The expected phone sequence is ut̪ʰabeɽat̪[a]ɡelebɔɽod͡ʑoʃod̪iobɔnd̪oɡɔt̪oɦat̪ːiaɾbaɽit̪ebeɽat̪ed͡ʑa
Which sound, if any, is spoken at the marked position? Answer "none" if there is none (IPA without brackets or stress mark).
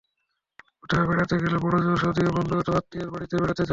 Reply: e